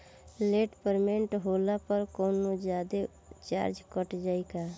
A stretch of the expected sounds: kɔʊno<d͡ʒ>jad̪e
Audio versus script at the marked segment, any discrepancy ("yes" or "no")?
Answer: no